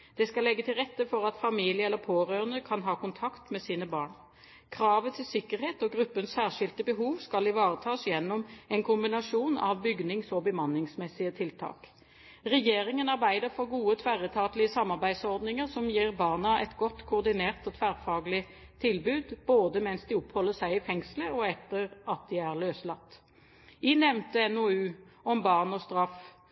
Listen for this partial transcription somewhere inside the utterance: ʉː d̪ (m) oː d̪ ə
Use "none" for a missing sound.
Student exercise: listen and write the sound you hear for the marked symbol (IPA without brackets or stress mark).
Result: b